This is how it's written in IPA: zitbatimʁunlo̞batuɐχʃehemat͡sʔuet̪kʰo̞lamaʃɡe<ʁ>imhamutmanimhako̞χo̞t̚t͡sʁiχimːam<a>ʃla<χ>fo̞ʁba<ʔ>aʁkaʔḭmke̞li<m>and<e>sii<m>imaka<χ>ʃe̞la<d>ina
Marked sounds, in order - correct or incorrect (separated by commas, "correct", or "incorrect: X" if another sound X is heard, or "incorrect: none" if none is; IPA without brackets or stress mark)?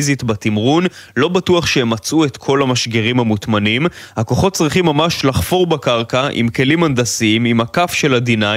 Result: correct, correct, correct, incorrect: k, correct, incorrect: a, correct, incorrect: f, correct